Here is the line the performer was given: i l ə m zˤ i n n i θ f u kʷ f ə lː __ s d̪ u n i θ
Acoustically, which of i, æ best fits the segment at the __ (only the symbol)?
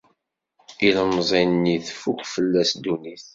æ